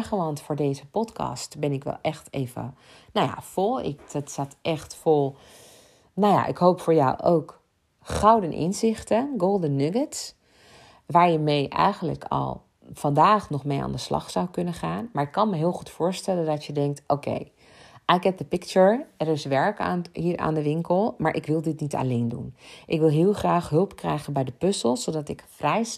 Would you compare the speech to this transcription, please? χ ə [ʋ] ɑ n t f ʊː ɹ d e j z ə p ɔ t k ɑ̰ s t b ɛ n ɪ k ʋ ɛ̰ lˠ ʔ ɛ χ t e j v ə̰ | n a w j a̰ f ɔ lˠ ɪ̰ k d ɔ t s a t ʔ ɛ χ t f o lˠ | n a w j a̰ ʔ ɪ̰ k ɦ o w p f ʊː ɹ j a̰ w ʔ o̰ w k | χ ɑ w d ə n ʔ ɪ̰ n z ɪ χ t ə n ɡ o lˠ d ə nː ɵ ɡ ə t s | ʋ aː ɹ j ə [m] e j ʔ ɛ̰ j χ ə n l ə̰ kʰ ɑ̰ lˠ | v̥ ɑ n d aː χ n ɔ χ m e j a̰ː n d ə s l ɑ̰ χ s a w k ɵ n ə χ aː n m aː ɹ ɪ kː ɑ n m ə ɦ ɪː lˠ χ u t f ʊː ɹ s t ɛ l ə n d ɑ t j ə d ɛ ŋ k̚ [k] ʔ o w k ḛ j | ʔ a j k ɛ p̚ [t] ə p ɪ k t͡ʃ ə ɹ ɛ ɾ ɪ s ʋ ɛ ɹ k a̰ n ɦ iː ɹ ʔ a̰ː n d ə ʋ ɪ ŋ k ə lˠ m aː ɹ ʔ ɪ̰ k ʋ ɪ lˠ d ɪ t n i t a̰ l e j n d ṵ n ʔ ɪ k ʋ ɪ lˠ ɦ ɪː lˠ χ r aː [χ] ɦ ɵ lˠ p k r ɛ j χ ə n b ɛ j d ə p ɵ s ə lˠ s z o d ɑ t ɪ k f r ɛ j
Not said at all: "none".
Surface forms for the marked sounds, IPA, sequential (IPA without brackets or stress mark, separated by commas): ʋ, m, t, d, χ